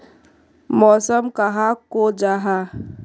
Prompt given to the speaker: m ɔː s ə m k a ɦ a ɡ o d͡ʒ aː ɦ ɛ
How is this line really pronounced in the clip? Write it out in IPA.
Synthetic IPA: m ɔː s ə m k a ɦ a k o d͡ʒ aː ɦ a